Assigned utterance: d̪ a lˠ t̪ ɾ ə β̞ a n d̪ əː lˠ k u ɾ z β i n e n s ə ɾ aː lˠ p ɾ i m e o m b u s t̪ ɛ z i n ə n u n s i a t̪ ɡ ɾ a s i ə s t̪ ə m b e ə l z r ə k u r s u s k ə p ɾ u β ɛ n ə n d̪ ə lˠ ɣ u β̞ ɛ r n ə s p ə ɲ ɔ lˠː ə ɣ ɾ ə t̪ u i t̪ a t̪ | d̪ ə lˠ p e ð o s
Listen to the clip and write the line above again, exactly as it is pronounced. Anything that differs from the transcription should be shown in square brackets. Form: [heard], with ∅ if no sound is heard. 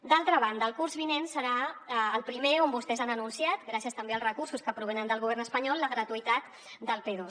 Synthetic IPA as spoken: d̪ a lˠ t̪ ɾ ə β̞ a n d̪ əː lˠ k u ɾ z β i n e n s ə ɾ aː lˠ p ɾ i m e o m b u s t̪ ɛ z [a] n ə n u n s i a t̪ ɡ ɾ a s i ə s t̪ ə m b e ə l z r ə k u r s u s k ə p ɾ u β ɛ n ə n d̪ ə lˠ ɣ u β̞ ɛ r n ə s p ə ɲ ɔ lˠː ə ɣ ɾ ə t̪ u i t̪ a t̪ | d̪ ə lˠ p e ð o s